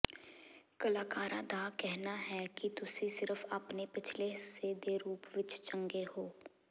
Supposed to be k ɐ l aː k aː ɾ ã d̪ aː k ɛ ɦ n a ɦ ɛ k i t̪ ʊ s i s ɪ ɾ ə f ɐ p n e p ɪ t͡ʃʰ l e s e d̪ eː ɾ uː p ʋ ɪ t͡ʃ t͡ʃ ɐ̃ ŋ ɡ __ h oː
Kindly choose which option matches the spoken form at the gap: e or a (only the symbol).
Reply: e